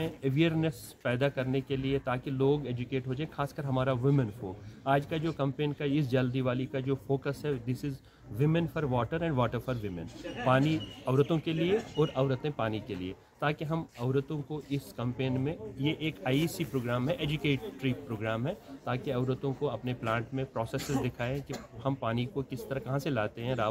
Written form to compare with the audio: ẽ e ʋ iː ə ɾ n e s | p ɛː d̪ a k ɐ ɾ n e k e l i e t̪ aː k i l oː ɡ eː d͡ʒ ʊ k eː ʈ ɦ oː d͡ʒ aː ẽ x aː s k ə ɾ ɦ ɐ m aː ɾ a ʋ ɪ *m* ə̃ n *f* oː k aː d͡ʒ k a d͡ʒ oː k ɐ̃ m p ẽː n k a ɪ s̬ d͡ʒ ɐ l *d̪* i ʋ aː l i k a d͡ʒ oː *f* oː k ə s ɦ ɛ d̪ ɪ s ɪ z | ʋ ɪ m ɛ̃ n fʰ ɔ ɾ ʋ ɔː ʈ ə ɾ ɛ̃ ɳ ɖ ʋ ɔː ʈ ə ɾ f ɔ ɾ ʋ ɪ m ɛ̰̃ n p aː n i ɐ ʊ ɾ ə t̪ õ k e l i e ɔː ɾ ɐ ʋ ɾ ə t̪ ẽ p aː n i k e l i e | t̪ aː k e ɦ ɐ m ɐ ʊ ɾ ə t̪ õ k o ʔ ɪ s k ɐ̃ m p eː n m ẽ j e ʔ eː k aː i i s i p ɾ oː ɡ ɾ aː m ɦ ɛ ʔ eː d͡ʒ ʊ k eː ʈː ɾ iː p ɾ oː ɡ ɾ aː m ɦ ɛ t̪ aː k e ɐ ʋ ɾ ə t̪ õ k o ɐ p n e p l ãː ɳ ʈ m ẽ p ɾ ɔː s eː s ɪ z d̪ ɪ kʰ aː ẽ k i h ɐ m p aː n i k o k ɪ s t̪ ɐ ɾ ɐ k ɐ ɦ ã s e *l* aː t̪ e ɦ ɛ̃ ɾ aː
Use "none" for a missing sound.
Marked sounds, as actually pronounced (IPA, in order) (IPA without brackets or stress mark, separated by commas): m, f, d̪, f, l